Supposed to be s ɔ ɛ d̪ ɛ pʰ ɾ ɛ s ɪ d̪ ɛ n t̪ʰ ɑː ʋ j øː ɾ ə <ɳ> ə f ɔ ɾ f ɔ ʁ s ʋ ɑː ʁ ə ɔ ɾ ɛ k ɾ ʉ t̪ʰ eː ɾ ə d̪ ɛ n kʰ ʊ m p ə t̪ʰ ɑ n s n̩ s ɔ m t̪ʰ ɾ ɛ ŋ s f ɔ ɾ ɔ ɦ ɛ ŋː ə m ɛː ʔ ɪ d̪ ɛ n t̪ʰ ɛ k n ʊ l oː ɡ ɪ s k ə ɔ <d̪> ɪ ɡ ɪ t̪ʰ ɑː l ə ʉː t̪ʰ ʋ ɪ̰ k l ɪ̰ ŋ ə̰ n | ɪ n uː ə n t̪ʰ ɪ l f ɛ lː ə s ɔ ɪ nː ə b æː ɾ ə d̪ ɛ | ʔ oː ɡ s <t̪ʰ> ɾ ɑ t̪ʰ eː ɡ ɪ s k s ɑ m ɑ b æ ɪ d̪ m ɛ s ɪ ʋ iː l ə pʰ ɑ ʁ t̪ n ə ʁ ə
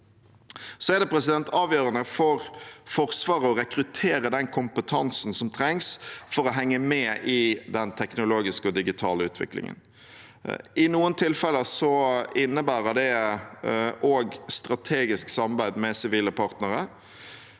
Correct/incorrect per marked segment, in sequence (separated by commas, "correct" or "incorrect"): incorrect, correct, incorrect